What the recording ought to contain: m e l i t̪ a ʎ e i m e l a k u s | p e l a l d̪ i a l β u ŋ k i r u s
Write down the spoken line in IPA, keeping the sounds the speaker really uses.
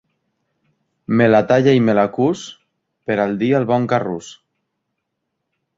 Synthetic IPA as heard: m e l a t̪ a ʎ a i m e l a k u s | p e ɾ a l d̪ i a l β ɔ ŋ k a r u s

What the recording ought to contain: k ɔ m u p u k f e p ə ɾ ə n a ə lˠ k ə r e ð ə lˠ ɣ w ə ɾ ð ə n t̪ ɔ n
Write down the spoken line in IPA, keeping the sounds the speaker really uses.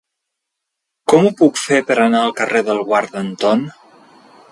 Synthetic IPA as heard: k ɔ m u p u k f e p ə ɾ ə n a ə lˠ k ə r e ð ə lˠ ɣ w a ɾ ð ə n t̪ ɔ n

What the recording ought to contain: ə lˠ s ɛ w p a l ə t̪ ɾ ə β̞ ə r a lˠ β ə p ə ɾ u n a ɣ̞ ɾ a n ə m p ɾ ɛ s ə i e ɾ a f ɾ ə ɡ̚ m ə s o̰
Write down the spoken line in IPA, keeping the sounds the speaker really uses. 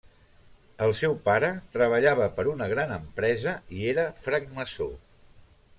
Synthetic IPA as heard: ə lˠ s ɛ w p a ɾ ə t̪ ɾ ə β̞ ə ʎ a β ə p ə ɾ u n ə ɣ̞ ɾ a n ə m p ɾ ɛ z ə i e ɾ ə f ɾ ə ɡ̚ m ə s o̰

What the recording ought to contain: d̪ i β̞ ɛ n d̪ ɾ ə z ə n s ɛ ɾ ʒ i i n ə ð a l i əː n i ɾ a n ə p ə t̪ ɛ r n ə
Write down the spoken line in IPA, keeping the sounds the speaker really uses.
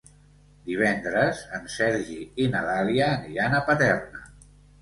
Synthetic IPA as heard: d̪ i β̞ ɛ n d̪ ɾ ə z ə n s ɛ ɾ ʒ i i n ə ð a l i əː n i ɾ a n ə p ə t̪ ɛ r n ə

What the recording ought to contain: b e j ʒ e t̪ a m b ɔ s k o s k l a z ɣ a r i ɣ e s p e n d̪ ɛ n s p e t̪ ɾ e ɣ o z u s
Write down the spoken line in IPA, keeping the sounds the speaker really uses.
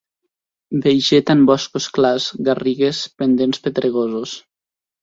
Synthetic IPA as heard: b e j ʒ e t̪ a m b ɔ s k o s k l a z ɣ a r i ɣ e s p e n d̪ e n s p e t̪ ɾ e ɣ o z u s

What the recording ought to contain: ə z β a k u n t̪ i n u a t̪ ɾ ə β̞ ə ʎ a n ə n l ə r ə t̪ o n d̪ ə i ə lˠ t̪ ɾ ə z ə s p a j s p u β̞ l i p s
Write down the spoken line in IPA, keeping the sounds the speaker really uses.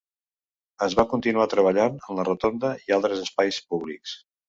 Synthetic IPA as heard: ə z β a k u n t̪ i n u a t̪ ɾ ə β̞ ə ʎ a n ə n l ə r ə t̪ o n d̪ ə i a lˠ t̪ ɾ ə z ə s p a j s p u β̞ l i k s

